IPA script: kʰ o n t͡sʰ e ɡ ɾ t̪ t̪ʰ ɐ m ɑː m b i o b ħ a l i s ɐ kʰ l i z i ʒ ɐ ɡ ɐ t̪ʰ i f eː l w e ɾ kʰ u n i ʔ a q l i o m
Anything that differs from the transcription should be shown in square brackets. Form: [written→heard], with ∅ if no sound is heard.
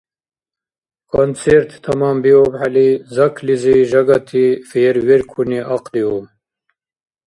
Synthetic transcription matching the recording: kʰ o n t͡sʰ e [ɡ→∅] ɾ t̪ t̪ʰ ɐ m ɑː m b i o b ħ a l i [s→z] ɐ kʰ l i z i ʒ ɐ ɡ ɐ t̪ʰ i f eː [l→ɾ] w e ɾ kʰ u n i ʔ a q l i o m